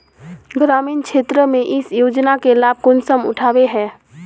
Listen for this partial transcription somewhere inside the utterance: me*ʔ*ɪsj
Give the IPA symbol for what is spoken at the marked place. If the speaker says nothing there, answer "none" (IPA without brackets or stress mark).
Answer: ʔ